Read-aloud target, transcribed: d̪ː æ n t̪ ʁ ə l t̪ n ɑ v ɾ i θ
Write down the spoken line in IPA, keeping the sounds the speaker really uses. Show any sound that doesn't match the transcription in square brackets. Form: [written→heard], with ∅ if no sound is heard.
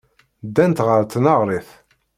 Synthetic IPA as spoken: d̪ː æ n t̪ ʁ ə [l→ɾ] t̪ n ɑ [v→ʁ] ɾ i θ